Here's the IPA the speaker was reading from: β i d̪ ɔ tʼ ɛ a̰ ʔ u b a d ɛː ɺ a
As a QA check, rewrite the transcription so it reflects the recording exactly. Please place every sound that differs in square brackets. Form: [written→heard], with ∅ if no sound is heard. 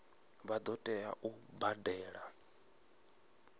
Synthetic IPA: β [i→a] d̪ ɔ tʼ ɛ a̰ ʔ u b a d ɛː ɺ a